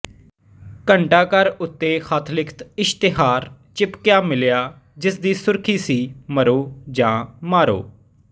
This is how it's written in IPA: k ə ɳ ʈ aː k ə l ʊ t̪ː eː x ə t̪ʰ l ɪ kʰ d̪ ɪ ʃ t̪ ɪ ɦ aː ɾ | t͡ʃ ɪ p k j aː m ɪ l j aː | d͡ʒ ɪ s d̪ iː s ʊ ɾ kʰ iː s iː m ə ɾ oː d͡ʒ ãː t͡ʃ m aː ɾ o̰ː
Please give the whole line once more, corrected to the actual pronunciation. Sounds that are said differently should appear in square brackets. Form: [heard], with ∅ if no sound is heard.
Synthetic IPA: k ə ɳ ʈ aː k ə [ɾ] ʊ t̪ː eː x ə t̪ʰ l ɪ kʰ [t̪] ɪ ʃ t̪ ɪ ɦ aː ɾ | t͡ʃ ɪ p k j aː m ɪ l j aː | d͡ʒ ɪ s d̪ iː s ʊ ɾ kʰ iː s iː m ə ɾ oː d͡ʒ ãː [∅] m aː ɾ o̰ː